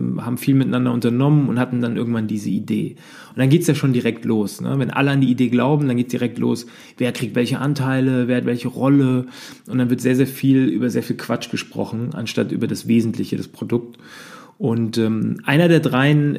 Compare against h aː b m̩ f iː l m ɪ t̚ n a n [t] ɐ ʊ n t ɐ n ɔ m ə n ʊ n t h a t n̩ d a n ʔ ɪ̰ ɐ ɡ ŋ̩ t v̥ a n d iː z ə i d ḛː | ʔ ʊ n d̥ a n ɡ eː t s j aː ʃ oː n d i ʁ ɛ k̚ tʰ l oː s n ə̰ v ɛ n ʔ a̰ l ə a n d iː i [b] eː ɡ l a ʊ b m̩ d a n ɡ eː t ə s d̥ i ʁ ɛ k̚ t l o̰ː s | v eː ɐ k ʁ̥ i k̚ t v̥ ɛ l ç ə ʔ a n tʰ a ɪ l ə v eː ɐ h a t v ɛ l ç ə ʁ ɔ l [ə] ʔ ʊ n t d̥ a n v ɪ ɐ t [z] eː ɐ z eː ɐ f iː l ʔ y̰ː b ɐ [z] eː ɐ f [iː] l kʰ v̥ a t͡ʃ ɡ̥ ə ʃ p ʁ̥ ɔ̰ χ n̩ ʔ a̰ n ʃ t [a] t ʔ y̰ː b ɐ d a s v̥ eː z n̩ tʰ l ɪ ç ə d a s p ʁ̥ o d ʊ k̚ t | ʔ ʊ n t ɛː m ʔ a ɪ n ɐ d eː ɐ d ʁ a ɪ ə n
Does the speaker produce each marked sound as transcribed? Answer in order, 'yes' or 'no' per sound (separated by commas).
no, no, yes, yes, yes, yes, yes